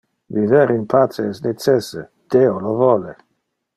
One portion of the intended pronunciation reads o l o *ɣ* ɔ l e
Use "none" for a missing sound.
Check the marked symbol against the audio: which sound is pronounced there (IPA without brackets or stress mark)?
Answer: v